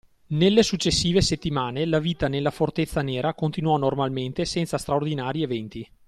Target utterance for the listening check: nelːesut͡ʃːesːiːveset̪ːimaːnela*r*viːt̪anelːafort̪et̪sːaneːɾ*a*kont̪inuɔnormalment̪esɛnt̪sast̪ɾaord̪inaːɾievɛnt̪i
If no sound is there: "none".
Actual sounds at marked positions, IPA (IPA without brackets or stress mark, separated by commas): none, a